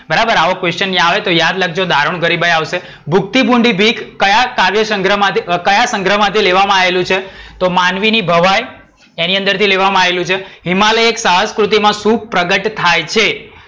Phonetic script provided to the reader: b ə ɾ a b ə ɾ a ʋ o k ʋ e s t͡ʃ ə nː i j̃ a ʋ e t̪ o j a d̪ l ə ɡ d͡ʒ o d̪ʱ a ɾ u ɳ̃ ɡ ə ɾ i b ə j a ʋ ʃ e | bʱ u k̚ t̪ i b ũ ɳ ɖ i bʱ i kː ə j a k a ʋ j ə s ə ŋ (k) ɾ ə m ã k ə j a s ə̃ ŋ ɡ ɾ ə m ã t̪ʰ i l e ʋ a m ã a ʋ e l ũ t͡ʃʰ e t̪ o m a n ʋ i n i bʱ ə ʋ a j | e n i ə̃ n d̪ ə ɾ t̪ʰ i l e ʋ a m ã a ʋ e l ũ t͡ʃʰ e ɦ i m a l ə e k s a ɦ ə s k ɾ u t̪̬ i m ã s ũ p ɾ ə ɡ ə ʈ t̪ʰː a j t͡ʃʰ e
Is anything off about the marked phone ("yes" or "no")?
yes